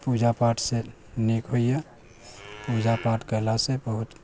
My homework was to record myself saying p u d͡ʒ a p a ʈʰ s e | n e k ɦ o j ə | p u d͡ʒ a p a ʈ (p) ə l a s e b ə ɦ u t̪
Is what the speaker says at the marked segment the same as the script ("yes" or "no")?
no